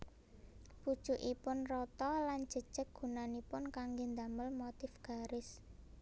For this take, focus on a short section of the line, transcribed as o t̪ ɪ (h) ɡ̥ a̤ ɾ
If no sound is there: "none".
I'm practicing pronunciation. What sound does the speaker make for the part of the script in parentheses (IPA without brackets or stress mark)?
f